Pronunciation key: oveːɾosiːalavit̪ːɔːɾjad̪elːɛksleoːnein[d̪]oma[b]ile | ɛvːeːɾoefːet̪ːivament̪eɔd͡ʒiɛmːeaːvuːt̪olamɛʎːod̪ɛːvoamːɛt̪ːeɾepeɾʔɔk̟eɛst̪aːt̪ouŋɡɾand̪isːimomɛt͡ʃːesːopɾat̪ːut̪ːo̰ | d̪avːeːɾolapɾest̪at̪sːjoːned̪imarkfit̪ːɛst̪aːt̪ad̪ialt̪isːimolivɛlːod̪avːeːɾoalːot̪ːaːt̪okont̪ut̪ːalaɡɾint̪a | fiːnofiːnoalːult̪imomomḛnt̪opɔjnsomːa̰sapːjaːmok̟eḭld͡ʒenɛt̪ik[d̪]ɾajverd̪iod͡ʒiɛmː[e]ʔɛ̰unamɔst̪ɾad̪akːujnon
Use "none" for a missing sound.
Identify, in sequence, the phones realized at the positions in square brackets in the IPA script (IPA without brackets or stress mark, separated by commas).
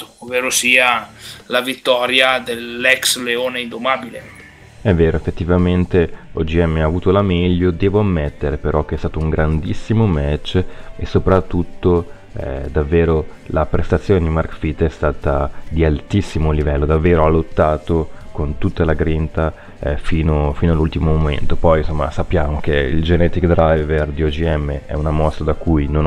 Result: d̪, b, d̪, e